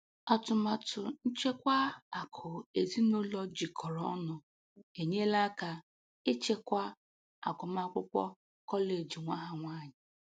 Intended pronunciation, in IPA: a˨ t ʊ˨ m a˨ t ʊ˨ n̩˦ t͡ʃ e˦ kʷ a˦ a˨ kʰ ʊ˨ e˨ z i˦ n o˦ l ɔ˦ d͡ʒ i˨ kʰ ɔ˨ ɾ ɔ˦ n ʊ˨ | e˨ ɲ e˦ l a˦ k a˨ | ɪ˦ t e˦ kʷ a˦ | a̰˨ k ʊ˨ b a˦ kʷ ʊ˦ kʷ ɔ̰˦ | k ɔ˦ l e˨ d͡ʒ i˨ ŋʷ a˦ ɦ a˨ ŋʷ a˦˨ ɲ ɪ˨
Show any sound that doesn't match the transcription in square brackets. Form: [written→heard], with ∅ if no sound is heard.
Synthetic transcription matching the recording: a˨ t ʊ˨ m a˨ t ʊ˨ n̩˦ t͡ʃ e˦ kʷ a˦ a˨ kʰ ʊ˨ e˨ z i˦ n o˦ l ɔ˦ d͡ʒ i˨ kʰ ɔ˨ ɾ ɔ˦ n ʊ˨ | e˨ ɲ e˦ l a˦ k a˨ | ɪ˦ [t→t͡ʃ] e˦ kʷ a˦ | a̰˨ k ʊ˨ [b→m] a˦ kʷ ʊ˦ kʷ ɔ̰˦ | k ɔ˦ l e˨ d͡ʒ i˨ ŋʷ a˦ ɦ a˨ ŋʷ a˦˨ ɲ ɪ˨